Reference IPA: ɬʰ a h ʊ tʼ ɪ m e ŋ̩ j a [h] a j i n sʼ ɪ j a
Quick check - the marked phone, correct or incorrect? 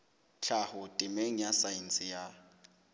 incorrect